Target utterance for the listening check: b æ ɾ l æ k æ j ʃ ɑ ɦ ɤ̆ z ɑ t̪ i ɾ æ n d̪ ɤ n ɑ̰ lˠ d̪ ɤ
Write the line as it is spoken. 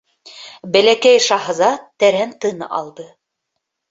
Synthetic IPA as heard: b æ l æ k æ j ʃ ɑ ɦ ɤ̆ z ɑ t̪ æ ɾ æ n t̪ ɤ n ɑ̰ lˠ d̪ ɤ